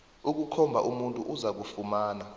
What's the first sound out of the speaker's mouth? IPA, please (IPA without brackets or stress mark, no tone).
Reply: u